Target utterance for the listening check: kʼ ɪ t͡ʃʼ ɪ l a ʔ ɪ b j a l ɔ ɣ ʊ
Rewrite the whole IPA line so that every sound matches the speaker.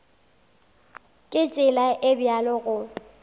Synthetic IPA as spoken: kʼ ɪ t͡ʃʼ ɪ l a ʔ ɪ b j a l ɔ ɣ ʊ